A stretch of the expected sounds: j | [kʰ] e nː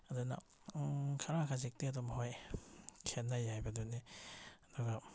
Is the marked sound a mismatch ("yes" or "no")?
no